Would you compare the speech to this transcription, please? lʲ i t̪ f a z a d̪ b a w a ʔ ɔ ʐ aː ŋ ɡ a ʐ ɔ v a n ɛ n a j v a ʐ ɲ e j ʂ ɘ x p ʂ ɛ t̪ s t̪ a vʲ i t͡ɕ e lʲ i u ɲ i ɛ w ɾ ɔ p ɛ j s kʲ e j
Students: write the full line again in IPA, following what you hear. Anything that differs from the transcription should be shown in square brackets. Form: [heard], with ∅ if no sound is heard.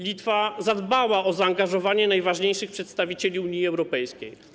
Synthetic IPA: lʲ i t̪ f a z a d̪ b a w a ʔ ɔ [z] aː ŋ ɡ a ʐ ɔ v a [ɲ] ɛ n a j v a ʐ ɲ e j ʂ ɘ x p ʂ ɛ t̪ s t̪ a vʲ i t͡ɕ e lʲ i u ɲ i ɛ w ɾ ɔ p ɛ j s kʲ e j